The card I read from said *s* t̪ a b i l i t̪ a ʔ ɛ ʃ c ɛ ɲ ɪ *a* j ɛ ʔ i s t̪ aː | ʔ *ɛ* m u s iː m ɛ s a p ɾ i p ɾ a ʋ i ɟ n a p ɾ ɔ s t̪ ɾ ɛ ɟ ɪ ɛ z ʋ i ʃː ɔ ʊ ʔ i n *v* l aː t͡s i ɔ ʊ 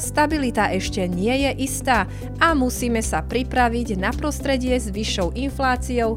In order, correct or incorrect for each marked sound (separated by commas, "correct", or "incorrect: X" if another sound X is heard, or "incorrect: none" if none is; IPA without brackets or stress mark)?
correct, incorrect: ɛ, incorrect: a, incorrect: f